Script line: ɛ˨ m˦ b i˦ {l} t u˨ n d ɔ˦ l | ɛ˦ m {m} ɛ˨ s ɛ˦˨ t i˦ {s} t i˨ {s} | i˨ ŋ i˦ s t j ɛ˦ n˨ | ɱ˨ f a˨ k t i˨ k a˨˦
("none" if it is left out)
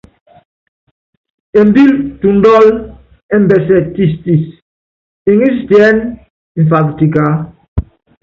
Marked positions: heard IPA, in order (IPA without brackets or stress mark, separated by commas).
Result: l, b, s, s